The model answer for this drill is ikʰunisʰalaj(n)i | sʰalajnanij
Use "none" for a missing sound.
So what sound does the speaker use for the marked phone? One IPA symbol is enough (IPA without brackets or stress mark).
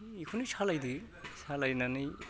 d